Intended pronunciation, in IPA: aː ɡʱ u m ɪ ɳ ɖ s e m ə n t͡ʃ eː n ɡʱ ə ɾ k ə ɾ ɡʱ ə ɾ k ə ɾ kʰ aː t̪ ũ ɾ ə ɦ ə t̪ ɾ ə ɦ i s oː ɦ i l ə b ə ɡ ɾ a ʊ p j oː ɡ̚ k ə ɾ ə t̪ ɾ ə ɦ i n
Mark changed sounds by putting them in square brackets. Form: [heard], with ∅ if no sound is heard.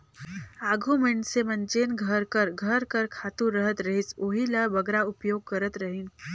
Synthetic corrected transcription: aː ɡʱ u m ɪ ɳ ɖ s e m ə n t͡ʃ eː n ɡʱ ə ɾ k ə ɾ ɡʱ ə ɾ k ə ɾ kʰ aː t̪ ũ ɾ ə ɦ ə t̪ ɾ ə ɦ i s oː ɦ i l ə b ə ɡ ɾ a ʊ p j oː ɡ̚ k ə ɾ ə t̪ ɾ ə ɦ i n